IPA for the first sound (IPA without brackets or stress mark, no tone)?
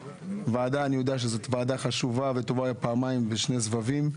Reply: v